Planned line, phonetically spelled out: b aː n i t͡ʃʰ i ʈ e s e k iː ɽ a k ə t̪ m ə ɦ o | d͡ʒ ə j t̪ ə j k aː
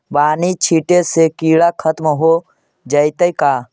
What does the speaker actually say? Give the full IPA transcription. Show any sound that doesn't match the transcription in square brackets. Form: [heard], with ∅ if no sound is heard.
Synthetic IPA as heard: b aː n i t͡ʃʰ i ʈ e s e k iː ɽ a [kʰ] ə t̪ m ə ɦ o | d͡ʒ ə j t̪ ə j k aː